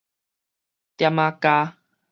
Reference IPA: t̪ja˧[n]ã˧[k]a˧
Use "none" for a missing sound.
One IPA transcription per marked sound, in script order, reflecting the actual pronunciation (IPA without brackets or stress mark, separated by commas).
m, k